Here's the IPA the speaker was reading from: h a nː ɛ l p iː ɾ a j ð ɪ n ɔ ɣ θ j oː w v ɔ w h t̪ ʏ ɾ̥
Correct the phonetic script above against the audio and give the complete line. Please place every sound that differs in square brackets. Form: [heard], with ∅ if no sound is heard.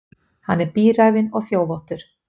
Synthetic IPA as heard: h a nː ɛ [ɾ] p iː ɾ a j [v] ɪ n ɔ ɣ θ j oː w v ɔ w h t̪ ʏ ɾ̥